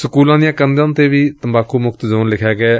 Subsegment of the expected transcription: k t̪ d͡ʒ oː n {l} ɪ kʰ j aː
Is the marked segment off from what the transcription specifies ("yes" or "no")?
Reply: no